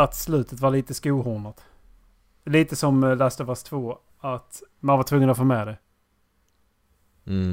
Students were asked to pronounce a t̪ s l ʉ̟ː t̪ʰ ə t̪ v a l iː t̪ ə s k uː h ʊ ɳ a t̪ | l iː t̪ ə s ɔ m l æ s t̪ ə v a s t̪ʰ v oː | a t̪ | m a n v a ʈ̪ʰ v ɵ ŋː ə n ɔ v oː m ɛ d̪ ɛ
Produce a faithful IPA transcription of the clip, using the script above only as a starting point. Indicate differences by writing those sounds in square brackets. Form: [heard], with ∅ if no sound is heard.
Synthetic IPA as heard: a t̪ s l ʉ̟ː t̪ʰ ə t̪ v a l iː t̪ ə s k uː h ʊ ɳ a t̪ | l iː t̪ ə s ɔ m l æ s t̪ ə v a s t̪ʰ v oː | a t̪ | m a n v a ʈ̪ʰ v ɵ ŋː ə n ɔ [f] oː m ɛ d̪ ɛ